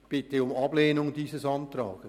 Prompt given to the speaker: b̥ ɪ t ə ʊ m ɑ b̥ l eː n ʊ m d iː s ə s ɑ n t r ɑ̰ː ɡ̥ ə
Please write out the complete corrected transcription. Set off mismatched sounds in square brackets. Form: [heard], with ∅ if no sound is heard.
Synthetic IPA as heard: b̥ ɪ t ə ʊ m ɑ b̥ l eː n ʊ [ŋ] d iː s ə s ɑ n t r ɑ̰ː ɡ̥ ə